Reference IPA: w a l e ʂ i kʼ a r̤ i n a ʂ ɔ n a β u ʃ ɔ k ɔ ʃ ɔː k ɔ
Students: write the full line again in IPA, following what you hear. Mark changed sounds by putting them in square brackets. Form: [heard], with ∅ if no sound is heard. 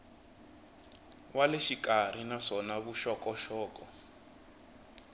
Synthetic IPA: w a l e [ʃ] i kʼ a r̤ i n a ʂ ɔ n a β u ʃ ɔ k ɔ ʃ ɔː k ɔ

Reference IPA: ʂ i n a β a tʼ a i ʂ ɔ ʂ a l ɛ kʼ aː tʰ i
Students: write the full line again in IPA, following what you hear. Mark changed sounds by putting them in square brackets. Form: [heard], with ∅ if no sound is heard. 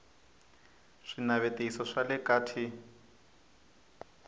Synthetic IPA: ʂ i n a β [e] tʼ [e] i [s] ɔ ʂ a l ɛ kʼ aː tʰ i

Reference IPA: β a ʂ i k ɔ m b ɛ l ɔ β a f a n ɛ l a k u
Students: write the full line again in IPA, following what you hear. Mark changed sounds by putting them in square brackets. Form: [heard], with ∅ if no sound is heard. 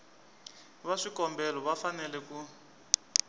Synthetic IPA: β a ʂ i k ɔ m b ɛ l ɔ β a f a n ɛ l [ɛ] k u

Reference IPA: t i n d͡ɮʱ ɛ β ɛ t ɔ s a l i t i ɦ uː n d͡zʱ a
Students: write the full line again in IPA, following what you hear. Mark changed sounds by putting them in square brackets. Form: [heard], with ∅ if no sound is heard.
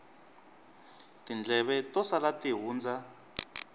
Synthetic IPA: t i n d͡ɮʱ ɛ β ɛ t ɔ s a l [a] t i ɦ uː n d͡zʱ a

